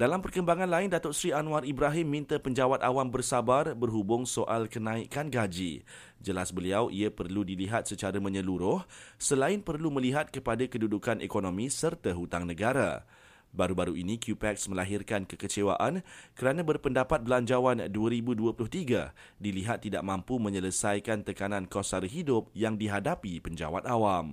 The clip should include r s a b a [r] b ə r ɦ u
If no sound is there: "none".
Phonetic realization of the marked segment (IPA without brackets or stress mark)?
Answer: r